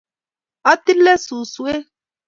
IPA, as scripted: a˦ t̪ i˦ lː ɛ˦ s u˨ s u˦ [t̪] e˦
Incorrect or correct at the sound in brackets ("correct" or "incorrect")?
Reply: incorrect